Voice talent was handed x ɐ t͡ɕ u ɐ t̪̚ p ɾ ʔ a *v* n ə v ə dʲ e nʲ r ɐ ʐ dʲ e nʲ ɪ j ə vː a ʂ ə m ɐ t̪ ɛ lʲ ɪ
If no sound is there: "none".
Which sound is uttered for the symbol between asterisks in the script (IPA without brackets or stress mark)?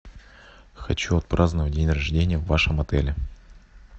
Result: z